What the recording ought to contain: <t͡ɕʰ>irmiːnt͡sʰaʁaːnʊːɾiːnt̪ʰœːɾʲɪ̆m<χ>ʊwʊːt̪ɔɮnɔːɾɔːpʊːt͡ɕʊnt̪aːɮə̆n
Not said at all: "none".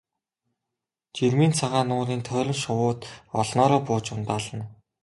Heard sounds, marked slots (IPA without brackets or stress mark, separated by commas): t͡ɕ, ʃ